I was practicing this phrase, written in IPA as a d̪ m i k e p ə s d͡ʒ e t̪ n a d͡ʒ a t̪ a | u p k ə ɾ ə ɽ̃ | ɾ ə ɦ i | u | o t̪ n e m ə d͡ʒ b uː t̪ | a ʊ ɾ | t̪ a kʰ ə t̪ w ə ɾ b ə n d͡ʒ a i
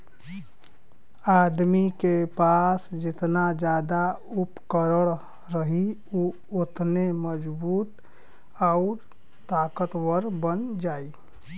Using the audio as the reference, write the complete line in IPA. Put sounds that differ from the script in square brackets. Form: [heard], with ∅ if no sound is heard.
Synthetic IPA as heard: a d̪ m i k e p [a] s d͡ʒ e t̪ n a d͡ʒ a [d̪] a | u p k ə ɾ ə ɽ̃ | ɾ ə ɦ i | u | o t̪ n e m ə d͡ʒ b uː t̪ | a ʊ ɾ | t̪ a [k] ə t̪ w ə ɾ b ə n d͡ʒ a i

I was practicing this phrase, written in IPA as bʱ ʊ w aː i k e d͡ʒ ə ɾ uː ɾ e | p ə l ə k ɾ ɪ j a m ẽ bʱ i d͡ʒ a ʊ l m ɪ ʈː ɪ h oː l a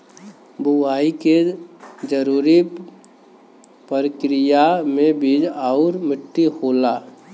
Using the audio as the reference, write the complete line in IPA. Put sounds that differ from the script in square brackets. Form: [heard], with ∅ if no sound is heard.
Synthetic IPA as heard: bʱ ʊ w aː i k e d͡ʒ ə ɾ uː ɾ [i] | p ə [ɾ] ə k ɾ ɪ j a m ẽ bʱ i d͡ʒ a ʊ [ɾ] m ɪ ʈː [i] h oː l a

